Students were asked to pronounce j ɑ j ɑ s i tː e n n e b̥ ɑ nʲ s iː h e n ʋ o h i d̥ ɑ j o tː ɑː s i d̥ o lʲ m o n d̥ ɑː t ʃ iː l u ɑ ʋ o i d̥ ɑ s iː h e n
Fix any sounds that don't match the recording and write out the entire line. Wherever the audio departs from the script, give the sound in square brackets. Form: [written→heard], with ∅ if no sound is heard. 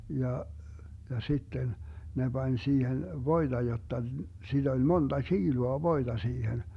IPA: j ɑ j ɑ s i tː e n n e b̥ ɑ nʲ s iː h e n ʋ o [h→∅] i d̥ ɑ j o tː [ɑː→ɑ] s i d̥ o lʲ m o n d̥ [ɑː→ɑ] t ʃ iː l u ɑ ʋ o i d̥ ɑ s iː h e n